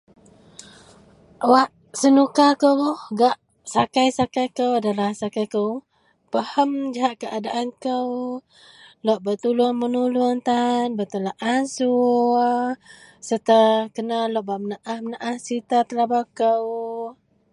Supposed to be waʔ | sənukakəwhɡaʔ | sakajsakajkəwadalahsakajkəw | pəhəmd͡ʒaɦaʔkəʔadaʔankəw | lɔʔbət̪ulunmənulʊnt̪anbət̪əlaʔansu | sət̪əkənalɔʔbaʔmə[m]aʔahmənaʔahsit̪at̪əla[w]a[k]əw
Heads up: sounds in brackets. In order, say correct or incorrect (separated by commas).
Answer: incorrect, incorrect, correct